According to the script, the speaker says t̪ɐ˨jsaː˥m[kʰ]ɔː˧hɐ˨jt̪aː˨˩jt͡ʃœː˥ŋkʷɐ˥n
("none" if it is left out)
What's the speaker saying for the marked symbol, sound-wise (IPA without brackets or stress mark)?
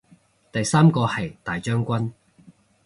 k